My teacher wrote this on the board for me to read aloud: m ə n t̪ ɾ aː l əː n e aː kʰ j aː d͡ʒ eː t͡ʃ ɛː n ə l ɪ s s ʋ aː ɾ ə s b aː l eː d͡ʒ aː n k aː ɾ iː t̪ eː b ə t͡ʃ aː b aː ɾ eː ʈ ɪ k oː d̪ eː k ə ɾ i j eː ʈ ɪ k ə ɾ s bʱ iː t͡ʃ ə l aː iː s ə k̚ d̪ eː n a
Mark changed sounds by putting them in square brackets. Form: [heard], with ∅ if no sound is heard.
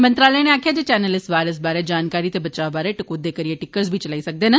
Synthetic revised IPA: m ə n t̪ ɾ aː l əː n e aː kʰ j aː d͡ʒ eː t͡ʃ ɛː n ə l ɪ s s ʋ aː ɾ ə s b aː [ɾ] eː d͡ʒ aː n k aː ɾ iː t̪ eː b ə t͡ʃ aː b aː ɾ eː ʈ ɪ k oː d̪ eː k ə ɾ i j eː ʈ ɪ k ə ɾ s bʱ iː t͡ʃ ə l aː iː s ə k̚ d̪ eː n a